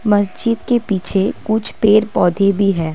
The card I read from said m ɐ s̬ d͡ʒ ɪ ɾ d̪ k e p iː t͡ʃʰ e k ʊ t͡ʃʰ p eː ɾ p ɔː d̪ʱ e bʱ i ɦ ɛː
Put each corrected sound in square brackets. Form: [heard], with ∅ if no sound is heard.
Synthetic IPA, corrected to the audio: m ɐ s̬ d͡ʒ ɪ [∅] d̪ k e p iː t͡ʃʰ e k ʊ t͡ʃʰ p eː ɾ p ɔː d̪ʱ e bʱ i ɦ ɛː

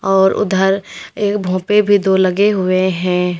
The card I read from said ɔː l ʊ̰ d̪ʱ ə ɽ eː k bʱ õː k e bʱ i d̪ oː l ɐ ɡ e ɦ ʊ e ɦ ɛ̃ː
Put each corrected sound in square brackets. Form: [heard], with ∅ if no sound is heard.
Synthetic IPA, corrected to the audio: ɔː [ɾ] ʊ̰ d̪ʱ ə [ɾ] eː k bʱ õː [p] e bʱ i d̪ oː l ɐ ɡ e ɦ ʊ e ɦ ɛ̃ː

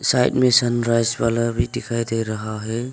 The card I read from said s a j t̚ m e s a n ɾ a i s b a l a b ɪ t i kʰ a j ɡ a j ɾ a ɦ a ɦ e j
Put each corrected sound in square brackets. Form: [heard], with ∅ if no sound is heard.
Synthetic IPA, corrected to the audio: s a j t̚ m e s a n ɾ a [j] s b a l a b [i] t i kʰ a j [d] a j ɾ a ɦ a ɦ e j

